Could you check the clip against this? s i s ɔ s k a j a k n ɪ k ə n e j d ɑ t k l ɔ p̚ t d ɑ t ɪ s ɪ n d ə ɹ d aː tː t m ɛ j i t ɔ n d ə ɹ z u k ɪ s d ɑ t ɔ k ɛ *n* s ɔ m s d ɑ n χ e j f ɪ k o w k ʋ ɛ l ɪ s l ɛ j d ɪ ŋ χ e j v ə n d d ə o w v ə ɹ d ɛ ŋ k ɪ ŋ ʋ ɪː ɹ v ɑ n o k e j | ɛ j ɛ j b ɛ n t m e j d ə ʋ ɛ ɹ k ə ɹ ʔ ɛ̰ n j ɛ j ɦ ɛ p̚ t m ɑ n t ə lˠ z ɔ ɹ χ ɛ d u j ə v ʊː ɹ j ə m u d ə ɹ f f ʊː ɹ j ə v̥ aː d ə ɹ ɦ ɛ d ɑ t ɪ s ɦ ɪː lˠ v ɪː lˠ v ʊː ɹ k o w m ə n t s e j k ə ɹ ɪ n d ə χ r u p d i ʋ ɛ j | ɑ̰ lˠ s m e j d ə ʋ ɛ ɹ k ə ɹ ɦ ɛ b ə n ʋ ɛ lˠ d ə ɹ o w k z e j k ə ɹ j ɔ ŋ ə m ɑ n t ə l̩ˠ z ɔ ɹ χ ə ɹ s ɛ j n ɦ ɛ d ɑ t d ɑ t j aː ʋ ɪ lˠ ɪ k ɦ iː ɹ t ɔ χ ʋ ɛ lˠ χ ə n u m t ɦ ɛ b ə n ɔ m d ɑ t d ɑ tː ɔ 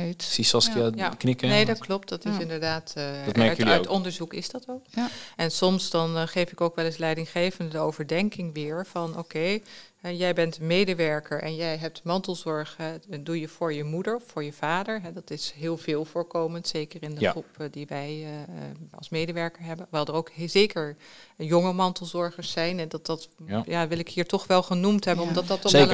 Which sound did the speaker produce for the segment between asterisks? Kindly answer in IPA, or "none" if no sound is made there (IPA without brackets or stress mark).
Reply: n